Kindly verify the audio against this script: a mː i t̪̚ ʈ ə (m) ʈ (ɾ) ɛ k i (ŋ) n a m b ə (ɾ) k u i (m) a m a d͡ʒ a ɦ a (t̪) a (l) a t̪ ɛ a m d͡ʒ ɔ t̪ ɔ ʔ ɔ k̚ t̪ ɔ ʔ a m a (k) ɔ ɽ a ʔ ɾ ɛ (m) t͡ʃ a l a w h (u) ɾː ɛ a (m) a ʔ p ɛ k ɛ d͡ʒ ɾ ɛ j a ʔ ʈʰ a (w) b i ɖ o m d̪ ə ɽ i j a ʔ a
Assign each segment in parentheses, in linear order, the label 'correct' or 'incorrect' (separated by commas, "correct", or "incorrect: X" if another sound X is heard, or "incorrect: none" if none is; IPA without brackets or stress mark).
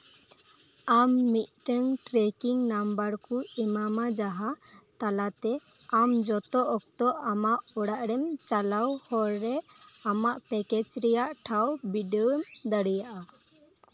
incorrect: ŋ, correct, correct, correct, correct, correct, correct, incorrect: ʔ, correct, incorrect: ɔ, correct, correct